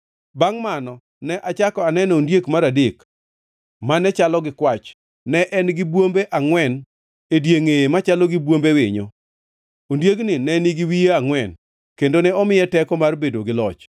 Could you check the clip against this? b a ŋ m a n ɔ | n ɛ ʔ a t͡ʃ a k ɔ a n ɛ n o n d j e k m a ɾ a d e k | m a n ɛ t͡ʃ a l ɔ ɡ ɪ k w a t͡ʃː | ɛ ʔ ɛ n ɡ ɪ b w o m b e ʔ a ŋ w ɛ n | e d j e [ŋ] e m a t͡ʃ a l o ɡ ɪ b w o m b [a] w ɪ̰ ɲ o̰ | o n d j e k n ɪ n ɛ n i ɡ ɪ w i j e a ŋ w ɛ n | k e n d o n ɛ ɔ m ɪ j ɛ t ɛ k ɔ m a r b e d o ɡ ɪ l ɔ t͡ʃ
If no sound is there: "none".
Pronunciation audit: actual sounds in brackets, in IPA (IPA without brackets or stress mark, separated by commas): ŋ, e